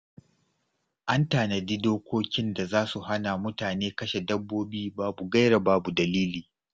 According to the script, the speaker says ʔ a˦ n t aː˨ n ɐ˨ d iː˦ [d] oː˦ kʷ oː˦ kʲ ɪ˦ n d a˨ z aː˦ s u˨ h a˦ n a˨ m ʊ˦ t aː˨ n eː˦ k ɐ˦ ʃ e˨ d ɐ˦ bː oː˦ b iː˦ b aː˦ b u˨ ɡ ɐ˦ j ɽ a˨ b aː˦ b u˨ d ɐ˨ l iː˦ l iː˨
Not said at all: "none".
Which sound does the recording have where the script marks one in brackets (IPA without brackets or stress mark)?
d